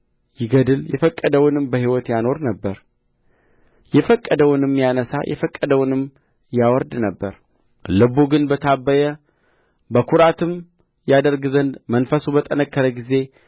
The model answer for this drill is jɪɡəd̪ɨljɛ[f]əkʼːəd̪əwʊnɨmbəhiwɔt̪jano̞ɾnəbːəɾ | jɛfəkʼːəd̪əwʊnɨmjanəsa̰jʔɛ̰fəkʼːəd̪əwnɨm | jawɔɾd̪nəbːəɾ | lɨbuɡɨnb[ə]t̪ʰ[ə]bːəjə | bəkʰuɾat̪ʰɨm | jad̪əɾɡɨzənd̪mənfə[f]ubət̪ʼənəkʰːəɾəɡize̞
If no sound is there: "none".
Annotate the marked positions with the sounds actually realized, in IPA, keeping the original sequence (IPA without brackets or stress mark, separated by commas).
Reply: f, ə, a, s